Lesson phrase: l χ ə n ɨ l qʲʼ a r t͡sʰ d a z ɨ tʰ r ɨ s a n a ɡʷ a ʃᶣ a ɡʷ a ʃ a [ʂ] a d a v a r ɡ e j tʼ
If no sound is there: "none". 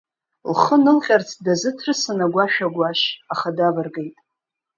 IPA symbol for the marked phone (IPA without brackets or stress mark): χ